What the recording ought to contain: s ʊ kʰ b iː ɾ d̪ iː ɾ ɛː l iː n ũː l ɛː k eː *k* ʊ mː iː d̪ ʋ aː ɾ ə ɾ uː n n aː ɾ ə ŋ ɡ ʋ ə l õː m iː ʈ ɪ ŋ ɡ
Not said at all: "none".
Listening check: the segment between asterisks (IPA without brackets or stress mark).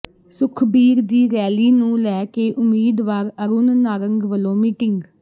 ʔ